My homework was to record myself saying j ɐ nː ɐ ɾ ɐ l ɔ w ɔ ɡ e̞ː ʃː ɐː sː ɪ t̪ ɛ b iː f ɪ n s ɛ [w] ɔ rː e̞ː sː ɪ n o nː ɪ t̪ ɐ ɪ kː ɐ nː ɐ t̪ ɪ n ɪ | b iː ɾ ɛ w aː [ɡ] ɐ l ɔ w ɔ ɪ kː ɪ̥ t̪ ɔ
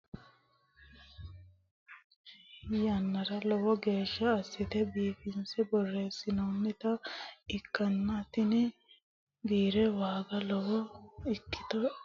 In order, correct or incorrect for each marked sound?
incorrect: b, correct

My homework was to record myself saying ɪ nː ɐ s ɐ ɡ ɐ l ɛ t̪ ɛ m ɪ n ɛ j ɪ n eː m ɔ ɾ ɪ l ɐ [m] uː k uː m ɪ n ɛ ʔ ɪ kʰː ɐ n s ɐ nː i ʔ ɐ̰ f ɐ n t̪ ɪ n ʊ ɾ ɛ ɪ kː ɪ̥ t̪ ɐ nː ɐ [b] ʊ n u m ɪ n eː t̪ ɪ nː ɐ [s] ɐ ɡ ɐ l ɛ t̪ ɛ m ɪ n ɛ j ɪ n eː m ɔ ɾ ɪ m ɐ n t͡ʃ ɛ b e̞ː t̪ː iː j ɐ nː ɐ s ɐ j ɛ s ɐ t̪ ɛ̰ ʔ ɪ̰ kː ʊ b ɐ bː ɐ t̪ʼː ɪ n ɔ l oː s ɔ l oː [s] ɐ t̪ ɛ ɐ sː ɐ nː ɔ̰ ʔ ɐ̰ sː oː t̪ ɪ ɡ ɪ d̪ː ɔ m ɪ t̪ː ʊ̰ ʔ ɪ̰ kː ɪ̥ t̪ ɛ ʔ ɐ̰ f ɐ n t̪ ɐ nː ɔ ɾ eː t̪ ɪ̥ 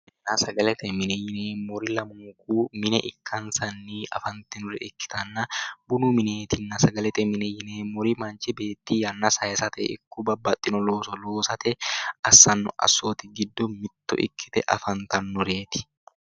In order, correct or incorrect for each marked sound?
correct, correct, correct, correct

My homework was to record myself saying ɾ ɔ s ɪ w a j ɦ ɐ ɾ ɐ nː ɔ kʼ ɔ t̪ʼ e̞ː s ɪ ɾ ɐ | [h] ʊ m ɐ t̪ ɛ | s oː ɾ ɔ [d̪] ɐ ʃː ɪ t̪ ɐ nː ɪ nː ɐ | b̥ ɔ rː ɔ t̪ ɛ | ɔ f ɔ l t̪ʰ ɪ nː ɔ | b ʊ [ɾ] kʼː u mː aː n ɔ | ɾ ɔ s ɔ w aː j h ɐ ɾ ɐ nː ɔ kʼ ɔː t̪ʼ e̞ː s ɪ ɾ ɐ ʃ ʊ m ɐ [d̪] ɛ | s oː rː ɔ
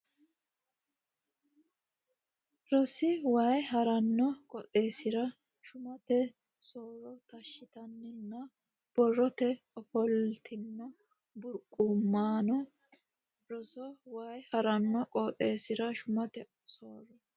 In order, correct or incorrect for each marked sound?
incorrect: ʃ, incorrect: t̪, correct, incorrect: t̪

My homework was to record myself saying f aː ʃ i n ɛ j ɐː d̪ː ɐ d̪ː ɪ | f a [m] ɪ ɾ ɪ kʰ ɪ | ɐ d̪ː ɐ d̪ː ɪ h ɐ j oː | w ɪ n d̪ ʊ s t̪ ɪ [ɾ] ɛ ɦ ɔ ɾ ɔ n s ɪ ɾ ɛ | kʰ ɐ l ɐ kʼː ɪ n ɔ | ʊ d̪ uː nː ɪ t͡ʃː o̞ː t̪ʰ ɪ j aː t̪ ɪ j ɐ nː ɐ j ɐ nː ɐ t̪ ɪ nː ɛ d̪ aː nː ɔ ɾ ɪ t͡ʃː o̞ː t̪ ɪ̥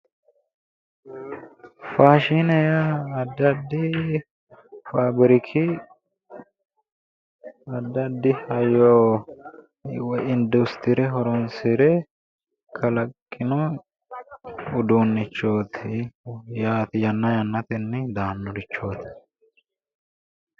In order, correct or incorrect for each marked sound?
incorrect: b, correct

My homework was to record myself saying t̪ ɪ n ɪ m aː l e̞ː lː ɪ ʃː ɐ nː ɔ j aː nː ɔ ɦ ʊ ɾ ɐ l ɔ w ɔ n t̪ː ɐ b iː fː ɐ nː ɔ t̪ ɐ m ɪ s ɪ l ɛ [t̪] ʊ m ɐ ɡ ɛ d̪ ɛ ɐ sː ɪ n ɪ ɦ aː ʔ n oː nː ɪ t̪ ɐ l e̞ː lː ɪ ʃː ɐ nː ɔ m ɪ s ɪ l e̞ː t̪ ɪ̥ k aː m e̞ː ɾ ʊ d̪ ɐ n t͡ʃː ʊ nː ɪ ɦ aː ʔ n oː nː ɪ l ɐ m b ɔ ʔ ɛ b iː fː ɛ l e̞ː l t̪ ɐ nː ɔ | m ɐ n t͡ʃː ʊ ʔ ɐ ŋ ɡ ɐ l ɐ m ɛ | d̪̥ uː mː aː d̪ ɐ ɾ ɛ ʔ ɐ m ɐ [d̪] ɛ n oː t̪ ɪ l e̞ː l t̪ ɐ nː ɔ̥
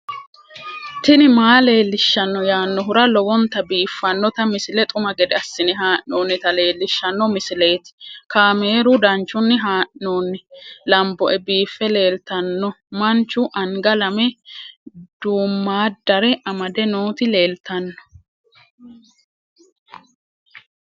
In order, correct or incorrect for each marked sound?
incorrect: t̪ʼ, correct

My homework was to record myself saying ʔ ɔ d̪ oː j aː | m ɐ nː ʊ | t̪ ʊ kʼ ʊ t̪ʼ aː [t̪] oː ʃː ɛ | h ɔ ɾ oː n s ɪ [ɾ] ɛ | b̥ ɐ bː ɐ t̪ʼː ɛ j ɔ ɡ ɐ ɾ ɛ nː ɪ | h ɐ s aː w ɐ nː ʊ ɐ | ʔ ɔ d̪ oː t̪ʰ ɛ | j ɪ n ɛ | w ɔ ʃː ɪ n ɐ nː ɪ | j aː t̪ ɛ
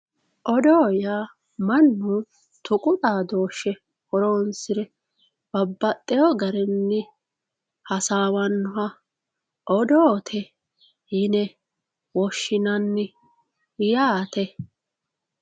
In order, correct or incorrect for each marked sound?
incorrect: d̪, correct

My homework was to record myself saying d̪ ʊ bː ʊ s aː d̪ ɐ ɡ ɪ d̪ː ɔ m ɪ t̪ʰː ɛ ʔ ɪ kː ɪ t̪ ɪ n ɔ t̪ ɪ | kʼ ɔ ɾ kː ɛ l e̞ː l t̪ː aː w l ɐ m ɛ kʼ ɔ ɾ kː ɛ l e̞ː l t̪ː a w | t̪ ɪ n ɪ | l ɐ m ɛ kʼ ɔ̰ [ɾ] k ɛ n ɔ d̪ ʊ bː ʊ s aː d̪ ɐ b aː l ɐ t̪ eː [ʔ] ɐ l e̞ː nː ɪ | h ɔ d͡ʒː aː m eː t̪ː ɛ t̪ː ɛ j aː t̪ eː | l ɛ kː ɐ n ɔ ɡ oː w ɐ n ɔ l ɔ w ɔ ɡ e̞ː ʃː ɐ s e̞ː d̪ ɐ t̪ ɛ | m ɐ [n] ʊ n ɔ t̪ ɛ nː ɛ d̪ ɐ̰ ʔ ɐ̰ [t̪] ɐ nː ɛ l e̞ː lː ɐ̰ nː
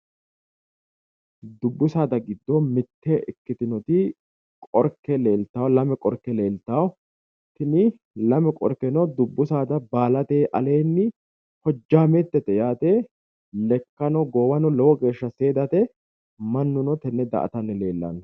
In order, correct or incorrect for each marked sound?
correct, correct, incorrect: nː, correct

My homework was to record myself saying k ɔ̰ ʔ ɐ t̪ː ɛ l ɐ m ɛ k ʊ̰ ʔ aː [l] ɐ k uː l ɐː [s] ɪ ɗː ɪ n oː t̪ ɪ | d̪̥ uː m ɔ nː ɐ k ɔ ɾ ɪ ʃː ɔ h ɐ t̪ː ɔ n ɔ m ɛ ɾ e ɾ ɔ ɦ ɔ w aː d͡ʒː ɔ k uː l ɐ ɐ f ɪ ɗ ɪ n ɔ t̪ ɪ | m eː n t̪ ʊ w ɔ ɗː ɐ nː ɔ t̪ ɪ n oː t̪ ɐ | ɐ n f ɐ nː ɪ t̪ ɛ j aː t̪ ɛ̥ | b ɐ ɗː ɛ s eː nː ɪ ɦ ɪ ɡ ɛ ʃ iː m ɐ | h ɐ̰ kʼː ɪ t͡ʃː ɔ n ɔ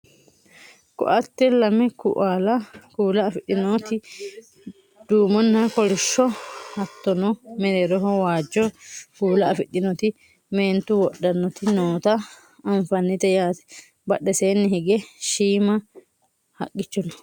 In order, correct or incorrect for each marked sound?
correct, incorrect: f

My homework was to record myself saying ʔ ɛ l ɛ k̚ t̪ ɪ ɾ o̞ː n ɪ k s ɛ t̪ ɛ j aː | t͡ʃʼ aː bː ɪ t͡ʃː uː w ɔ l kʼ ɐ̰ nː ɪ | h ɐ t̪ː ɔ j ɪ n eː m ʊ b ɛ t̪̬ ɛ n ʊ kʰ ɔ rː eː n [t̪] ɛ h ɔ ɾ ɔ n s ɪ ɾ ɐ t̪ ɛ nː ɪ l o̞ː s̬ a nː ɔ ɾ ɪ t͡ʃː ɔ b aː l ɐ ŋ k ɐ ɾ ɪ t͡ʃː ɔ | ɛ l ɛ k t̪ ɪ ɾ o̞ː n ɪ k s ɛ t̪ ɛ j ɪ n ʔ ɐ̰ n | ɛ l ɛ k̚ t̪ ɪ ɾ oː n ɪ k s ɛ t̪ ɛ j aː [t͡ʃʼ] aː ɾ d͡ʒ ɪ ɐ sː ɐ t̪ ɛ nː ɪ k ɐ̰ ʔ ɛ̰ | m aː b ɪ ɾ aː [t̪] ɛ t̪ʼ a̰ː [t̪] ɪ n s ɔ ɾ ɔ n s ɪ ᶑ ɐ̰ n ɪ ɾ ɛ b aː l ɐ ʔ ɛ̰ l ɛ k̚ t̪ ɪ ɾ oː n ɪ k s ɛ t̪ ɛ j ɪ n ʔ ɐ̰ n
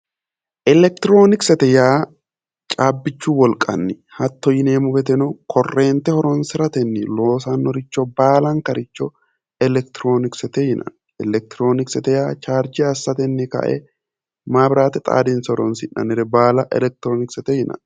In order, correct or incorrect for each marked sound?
correct, incorrect: t͡ʃ, correct, incorrect: d̪

